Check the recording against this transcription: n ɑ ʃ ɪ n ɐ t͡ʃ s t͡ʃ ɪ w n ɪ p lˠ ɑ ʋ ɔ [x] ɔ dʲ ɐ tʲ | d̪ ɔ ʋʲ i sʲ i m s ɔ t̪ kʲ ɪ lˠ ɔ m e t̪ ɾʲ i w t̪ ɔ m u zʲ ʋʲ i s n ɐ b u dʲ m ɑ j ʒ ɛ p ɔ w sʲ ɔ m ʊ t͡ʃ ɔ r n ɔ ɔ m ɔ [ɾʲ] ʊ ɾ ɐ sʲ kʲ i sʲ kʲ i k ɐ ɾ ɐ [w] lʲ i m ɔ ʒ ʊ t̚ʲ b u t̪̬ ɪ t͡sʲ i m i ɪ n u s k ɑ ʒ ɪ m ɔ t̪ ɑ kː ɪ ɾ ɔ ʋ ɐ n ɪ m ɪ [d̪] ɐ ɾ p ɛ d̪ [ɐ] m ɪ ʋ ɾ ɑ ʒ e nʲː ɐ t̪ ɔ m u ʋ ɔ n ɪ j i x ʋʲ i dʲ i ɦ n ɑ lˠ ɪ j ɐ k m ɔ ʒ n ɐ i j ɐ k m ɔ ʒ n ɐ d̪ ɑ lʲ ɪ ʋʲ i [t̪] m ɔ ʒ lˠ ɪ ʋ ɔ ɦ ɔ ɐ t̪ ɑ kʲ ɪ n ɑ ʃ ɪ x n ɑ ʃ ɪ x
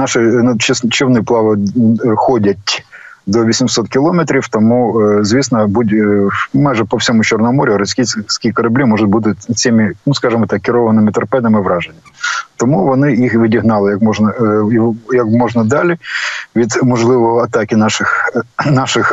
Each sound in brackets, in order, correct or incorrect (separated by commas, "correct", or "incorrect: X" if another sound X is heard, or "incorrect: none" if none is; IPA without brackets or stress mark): correct, correct, incorrect: b, incorrect: t̪, correct, incorrect: d̪